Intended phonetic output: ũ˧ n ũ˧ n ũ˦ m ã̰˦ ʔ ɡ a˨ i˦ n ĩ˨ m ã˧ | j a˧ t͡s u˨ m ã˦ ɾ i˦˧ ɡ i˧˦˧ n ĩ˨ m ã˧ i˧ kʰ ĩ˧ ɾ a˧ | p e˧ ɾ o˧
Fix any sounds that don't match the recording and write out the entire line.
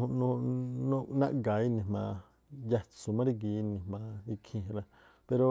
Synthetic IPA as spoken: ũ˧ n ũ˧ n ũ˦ n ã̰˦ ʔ ɡ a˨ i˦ n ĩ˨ m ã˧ | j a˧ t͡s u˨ m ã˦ ɾ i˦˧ ɡ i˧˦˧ n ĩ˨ m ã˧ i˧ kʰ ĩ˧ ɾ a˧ | p e˧ ɾ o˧